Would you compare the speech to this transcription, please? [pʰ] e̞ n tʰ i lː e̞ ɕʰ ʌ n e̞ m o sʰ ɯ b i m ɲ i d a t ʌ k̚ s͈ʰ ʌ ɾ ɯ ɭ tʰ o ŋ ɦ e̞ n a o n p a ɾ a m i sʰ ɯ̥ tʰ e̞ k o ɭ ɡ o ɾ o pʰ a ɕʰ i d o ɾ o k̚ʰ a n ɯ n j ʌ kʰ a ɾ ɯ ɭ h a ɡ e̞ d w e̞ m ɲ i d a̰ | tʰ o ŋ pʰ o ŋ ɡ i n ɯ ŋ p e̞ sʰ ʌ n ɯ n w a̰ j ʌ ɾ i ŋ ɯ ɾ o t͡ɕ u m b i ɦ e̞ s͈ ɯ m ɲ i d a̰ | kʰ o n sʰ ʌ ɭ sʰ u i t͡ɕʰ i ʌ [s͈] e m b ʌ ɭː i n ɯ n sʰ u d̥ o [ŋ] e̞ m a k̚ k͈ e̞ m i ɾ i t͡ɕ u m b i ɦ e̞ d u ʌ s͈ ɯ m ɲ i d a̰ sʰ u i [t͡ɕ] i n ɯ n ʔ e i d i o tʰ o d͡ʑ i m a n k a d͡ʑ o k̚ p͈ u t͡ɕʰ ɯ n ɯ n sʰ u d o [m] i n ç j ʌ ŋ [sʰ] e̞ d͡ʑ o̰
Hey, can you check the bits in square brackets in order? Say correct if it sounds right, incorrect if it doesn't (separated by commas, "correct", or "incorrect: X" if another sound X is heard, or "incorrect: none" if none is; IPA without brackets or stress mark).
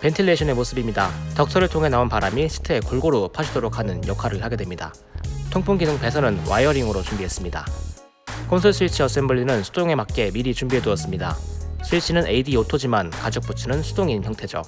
incorrect: p, correct, correct, incorrect: t͡ɕʰ, incorrect: ŋ, incorrect: tʰ